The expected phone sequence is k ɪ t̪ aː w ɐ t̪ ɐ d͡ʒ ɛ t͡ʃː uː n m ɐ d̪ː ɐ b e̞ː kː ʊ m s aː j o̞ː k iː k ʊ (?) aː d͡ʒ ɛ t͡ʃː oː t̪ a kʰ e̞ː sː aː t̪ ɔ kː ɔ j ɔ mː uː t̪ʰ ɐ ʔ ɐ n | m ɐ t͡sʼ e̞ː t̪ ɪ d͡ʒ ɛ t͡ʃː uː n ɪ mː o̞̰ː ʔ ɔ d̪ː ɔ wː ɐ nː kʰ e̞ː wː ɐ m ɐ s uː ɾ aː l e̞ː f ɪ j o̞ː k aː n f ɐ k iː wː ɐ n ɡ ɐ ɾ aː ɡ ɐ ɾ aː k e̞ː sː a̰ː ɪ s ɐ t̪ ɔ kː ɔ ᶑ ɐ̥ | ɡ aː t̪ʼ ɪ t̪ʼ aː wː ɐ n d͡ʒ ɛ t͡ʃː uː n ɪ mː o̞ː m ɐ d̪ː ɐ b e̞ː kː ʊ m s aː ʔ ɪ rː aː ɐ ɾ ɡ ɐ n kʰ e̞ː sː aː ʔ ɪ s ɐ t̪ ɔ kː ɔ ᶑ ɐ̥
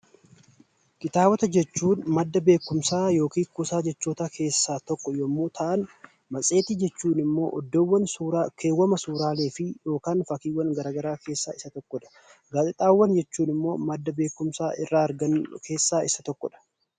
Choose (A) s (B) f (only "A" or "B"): A